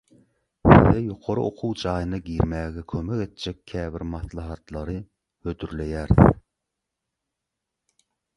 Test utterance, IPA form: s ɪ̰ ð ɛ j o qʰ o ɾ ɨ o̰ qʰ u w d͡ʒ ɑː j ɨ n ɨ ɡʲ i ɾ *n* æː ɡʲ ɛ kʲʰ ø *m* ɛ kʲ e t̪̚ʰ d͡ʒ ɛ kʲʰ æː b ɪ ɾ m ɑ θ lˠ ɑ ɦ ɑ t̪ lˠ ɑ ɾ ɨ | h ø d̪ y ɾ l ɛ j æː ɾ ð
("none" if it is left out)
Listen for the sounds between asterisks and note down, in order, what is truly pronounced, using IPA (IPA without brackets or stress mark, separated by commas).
m, m